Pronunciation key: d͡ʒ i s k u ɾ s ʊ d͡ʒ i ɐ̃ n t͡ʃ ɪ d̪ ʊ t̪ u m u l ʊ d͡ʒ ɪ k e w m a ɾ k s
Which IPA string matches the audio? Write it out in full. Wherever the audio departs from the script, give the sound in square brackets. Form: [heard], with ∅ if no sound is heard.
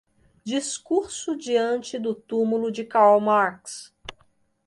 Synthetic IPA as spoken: d͡ʒ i s k u ɾ s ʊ d͡ʒ i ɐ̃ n t͡ʃ ɪ d̪ ʊ t̪ u m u l ʊ d͡ʒ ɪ k [a] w m a ɾ k s

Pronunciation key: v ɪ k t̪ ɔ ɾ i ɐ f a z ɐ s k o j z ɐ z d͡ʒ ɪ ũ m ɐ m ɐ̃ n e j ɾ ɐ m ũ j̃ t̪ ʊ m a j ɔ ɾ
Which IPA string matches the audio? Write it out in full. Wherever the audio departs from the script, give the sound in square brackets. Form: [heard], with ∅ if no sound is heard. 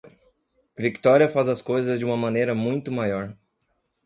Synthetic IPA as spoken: v [i] k t̪ ɔ ɾ i ɐ f a z ɐ s k o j z ɐ z d͡ʒ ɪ ũ m ɐ m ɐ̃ n e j ɾ ɐ m ũ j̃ t̪ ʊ m a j ɔ ɾ

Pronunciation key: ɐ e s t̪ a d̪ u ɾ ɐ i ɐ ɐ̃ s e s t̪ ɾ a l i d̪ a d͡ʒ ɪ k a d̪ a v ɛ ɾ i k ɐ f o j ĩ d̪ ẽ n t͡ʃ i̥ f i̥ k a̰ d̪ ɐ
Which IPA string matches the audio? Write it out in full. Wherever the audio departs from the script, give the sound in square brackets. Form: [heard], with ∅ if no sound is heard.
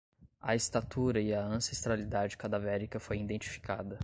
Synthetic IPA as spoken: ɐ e s t̪ a [t̪] u ɾ ɐ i ɐ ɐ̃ s e s t̪ ɾ a l i d̪ a d͡ʒ ɪ k a d̪ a v ɛ ɾ i k ɐ f o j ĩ d̪ ẽ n t͡ʃ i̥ f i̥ k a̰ d̪ ɐ

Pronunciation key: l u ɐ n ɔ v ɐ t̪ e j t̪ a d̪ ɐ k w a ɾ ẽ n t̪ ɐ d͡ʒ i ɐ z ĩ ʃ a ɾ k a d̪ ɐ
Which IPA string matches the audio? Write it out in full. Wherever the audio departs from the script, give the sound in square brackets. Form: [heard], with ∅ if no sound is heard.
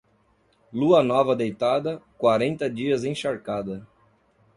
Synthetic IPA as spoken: l u ɐ n ɔ v ɐ [d̪] e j t̪ a d̪ ɐ k w a ɾ ẽ n t̪ ɐ d͡ʒ i ɐ z [ẽ] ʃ a ɾ k a d̪ ɐ

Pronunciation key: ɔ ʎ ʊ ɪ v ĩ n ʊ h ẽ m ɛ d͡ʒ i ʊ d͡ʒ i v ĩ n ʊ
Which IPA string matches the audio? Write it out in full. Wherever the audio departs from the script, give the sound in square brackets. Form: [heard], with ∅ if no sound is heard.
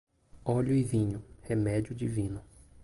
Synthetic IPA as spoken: ɔ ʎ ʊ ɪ v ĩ [ɲ] ʊ h [e] m ɛ d͡ʒ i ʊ d͡ʒ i v ĩ n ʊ

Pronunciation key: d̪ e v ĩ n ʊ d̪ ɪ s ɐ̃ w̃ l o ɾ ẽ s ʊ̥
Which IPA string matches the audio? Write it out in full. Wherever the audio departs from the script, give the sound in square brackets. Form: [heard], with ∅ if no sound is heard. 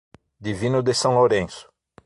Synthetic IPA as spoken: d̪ [i] v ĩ n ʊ d̪ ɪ s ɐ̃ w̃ l o ɾ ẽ s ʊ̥

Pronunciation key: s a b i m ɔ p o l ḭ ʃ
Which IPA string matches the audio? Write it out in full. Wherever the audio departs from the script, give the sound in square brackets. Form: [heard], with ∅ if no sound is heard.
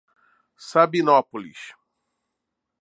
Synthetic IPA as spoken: s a b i [n] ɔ p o l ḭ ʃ

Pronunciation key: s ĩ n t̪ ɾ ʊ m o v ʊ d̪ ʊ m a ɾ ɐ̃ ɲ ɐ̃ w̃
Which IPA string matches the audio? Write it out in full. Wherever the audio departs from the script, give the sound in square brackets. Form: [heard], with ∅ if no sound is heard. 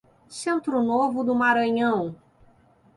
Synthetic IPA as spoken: s [ẽ] n t̪ ɾ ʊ [n] o v ʊ d̪ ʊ m a ɾ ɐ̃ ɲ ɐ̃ w̃

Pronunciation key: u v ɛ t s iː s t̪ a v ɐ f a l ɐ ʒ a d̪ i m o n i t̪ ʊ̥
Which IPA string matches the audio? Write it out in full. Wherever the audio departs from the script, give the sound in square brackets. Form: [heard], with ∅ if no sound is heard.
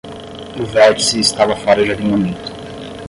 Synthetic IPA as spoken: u v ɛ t s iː s t̪ a v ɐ f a [ɾ] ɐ ʒ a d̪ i m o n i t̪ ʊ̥

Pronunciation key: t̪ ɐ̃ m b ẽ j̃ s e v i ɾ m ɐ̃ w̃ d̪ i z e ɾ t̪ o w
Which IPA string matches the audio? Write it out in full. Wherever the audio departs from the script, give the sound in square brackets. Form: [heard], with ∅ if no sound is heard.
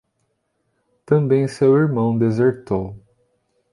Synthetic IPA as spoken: t̪ ɐ̃ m b ẽ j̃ s e [w] i ɾ m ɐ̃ w̃ d̪ [e] z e ɾ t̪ o w

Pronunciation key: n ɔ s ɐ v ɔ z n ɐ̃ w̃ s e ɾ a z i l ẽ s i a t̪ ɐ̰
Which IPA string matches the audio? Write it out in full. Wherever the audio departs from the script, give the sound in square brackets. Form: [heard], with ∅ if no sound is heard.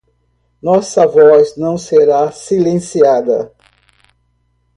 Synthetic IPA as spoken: n ɔ s ɐ v ɔ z n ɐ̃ w̃ s e ɾ a [s] i l ẽ s i a [d̪] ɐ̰

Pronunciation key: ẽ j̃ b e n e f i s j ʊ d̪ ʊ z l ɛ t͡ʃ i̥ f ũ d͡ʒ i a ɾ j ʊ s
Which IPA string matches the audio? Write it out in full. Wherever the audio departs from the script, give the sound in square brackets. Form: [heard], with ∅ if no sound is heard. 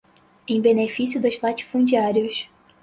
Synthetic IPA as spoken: ẽ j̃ b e n e f i s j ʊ d̪ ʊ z l [a] t͡ʃ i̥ f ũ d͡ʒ i a ɾ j ʊ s

